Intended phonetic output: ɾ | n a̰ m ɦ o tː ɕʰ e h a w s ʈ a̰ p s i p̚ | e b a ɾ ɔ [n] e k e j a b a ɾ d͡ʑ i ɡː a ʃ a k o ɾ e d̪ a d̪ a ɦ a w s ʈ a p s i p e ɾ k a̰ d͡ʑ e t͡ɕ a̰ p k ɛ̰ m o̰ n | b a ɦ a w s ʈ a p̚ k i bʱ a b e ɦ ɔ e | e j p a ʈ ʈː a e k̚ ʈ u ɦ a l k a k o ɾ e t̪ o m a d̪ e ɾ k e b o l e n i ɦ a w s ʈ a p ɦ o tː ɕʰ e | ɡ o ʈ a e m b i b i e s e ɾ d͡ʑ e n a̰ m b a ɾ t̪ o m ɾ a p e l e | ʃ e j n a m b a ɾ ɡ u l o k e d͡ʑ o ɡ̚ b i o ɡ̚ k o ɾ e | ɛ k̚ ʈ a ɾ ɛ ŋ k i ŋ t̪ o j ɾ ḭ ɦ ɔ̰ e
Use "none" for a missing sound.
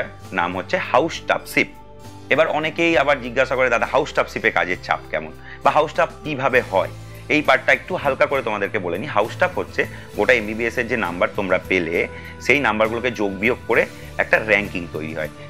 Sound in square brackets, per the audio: n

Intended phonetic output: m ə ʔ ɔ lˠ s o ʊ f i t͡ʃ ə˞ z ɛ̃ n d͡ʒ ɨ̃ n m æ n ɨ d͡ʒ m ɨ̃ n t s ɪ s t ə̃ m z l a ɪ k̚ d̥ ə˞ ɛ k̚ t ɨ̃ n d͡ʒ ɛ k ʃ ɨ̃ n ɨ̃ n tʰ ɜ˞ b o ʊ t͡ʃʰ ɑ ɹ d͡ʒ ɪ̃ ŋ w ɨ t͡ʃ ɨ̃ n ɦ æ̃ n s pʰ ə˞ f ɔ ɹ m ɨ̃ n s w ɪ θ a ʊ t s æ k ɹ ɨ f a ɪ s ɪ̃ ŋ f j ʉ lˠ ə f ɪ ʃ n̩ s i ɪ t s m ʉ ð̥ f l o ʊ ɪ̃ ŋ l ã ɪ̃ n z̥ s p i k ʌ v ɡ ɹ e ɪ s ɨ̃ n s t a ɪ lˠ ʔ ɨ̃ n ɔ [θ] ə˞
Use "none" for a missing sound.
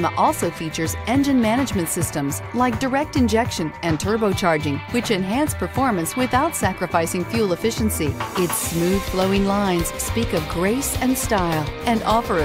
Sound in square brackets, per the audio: f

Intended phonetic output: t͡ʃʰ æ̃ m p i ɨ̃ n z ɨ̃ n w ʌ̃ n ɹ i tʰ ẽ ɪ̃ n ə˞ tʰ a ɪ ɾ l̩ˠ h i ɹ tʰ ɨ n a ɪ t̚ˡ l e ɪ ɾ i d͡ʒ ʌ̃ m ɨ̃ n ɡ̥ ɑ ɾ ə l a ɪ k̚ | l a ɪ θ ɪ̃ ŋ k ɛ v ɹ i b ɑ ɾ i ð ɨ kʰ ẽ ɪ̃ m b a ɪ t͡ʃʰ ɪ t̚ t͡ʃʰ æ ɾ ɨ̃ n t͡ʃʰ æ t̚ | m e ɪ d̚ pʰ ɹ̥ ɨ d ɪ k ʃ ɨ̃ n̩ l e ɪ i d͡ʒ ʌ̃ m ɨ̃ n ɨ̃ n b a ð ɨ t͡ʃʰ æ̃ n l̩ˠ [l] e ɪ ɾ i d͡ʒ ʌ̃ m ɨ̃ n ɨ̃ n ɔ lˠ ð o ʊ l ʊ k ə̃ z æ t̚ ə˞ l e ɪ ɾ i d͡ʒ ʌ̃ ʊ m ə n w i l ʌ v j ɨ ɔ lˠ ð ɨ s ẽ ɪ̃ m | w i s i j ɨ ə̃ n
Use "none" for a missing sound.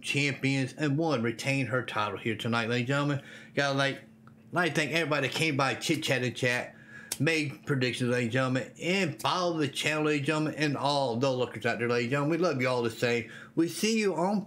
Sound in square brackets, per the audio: l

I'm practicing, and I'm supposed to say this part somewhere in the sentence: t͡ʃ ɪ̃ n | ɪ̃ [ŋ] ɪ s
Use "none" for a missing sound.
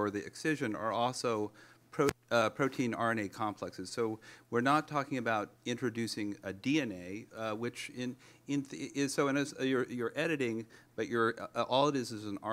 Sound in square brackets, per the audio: n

